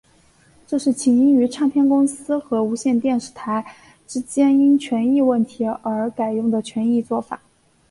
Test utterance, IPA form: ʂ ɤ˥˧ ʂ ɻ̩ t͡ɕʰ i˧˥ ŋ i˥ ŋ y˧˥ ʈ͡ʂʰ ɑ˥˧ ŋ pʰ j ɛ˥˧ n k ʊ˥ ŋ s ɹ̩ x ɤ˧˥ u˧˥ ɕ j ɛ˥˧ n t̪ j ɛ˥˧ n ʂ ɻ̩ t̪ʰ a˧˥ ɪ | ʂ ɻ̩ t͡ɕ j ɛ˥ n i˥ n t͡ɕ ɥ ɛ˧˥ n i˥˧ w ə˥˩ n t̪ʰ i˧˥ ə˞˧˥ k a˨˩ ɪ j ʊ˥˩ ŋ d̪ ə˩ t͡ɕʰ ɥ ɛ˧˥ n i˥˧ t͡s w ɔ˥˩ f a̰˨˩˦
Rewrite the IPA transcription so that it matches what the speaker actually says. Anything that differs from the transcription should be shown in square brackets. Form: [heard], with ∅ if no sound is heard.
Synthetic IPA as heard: [ʈ͡ʂ] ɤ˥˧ ʂ ɻ̩ t͡ɕʰ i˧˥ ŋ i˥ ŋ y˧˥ ʈ͡ʂʰ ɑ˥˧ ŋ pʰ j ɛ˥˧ n k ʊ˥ ŋ s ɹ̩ x ɤ˧˥ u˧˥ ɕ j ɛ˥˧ n t̪ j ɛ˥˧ n ʂ ɻ̩ t̪ʰ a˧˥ ɪ | [ʈ͡ʂ] ɻ̩ t͡ɕ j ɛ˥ n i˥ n [t͡ɕʰ] ɥ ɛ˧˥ n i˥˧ w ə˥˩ n t̪ʰ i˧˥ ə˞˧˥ k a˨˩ ɪ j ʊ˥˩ ŋ d̪ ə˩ t͡ɕʰ ɥ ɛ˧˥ n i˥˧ t͡s w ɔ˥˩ f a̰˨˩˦

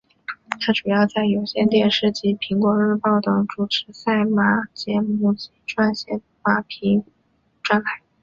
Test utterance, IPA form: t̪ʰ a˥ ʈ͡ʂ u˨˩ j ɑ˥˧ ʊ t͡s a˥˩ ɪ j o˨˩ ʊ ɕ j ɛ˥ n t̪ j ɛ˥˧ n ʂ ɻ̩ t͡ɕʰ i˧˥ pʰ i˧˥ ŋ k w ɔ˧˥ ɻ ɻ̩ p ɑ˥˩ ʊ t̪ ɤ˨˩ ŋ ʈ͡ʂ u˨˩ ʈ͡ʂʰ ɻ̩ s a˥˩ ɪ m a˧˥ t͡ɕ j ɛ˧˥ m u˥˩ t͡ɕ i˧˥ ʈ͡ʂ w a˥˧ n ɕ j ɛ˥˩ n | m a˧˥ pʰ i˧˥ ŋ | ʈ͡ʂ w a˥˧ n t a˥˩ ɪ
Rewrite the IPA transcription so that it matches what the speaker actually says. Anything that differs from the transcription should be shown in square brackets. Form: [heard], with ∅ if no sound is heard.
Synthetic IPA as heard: t̪ʰ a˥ ʈ͡ʂ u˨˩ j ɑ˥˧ ʊ t͡s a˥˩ ɪ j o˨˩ ʊ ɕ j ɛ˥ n t̪ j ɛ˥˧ n ʂ ɻ̩ [t͡ɕ] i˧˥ pʰ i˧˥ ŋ k w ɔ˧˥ ɻ ɻ̩ p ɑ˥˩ ʊ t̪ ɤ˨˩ ŋ ʈ͡ʂ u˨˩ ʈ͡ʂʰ ɻ̩ s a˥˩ ɪ m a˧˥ t͡ɕ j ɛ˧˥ m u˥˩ t͡ɕ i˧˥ ʈ͡ʂ w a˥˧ n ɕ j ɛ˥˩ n | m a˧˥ pʰ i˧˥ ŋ | ʈ͡ʂ w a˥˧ n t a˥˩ ɪ

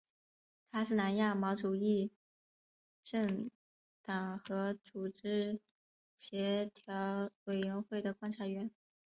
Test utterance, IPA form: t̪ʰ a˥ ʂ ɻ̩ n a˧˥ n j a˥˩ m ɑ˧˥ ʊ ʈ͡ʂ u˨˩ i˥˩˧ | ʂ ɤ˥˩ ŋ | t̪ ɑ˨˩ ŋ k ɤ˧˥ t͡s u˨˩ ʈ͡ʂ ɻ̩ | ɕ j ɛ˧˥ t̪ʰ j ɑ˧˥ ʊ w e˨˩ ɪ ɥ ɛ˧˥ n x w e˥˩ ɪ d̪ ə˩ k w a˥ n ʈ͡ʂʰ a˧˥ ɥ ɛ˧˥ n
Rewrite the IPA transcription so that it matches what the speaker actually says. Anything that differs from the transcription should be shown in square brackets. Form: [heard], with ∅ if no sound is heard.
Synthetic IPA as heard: t̪ʰ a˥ ʂ ɻ̩ n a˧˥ n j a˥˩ m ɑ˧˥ ʊ ʈ͡ʂ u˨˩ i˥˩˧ | [ʈ͡ʂ] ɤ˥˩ ŋ | t̪ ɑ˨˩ ŋ [x] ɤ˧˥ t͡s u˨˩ ʈ͡ʂ ɻ̩ | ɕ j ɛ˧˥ t̪ʰ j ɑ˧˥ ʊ w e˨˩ ɪ ɥ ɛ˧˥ n x w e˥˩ ɪ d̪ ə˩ k w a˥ n ʈ͡ʂʰ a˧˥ ɥ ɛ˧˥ n

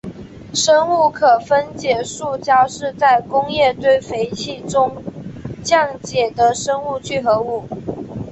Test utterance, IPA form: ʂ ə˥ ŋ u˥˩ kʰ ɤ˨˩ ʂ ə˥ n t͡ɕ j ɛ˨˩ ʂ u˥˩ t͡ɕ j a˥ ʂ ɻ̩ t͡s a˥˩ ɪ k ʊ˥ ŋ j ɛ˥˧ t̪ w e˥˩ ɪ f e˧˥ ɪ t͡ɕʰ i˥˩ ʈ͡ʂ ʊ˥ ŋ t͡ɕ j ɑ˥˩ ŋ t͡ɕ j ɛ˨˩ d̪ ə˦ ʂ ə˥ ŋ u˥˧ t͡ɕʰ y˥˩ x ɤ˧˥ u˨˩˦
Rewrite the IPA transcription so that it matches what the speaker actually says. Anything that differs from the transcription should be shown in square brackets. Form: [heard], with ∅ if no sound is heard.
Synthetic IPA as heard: ʂ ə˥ ŋ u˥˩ kʰ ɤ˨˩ [f] ə˥ n t͡ɕ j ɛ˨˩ ʂ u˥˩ t͡ɕ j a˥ ʂ ɻ̩ t͡s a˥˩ ɪ k ʊ˥ ŋ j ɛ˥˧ t̪ w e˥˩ ɪ f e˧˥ ɪ t͡ɕʰ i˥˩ ʈ͡ʂ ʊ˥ ŋ t͡ɕ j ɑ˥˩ ŋ t͡ɕ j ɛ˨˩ d̪ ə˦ ʂ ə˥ ŋ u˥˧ t͡ɕʰ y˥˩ x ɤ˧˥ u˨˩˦

